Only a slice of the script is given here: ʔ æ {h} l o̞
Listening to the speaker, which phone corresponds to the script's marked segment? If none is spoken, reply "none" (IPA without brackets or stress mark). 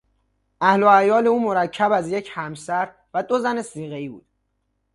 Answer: h